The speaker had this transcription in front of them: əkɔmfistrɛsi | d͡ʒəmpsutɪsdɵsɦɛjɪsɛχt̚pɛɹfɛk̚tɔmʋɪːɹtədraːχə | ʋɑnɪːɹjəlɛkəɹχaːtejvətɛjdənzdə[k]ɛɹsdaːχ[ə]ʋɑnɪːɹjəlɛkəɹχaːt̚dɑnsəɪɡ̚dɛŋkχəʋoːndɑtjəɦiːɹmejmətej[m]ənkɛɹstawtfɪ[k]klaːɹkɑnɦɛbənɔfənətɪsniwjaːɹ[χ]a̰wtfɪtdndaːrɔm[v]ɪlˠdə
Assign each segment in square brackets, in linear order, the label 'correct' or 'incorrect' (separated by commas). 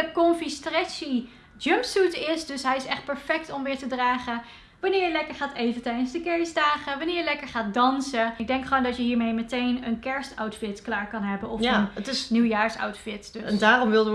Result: correct, correct, incorrect, incorrect, incorrect, incorrect